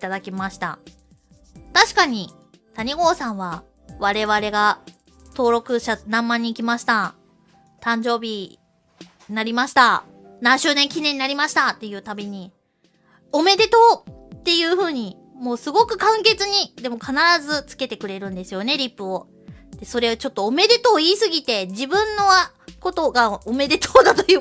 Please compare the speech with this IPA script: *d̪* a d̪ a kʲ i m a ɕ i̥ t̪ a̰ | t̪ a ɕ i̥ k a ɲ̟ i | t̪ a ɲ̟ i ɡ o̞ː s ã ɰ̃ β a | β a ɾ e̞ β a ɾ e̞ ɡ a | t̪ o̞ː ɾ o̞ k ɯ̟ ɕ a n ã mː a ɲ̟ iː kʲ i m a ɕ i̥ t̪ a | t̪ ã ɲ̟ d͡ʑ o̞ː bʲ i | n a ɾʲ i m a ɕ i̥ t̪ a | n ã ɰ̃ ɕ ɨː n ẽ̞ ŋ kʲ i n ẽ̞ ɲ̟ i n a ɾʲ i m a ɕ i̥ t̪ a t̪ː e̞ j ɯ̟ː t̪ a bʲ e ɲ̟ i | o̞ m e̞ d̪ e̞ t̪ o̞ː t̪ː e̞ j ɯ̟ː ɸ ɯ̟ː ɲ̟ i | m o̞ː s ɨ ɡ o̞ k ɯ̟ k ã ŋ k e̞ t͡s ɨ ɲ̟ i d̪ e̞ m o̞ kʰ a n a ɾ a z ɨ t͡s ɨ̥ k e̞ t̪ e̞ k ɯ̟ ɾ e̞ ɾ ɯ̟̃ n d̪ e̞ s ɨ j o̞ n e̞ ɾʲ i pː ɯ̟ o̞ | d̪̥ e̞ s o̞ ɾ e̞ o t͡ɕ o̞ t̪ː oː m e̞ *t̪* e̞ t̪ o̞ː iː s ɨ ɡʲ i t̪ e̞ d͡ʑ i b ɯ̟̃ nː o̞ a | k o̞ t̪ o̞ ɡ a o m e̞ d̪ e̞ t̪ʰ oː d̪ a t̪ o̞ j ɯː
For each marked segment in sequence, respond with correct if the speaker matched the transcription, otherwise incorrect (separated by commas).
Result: incorrect, incorrect